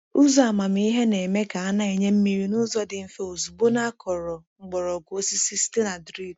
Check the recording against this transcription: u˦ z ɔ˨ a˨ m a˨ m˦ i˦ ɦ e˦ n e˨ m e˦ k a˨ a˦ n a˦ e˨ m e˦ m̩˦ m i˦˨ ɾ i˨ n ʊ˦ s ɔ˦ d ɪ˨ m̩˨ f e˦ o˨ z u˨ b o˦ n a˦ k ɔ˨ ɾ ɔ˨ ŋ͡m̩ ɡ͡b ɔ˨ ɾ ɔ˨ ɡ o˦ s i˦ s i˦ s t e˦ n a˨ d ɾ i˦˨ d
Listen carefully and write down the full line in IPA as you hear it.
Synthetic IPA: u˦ z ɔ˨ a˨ m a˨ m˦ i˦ ɦ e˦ n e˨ m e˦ k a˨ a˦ n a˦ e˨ ɲ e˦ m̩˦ m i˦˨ ɾ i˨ n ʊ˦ z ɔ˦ d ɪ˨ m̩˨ f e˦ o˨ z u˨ b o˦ n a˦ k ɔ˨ ɾ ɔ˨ ŋ͡m̩ ɡ͡b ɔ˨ ɾ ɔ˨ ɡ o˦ s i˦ s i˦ s t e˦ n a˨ d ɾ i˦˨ d